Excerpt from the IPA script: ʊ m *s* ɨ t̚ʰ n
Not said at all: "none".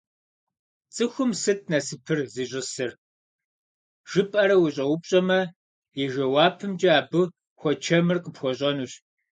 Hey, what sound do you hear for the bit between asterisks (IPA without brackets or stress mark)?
s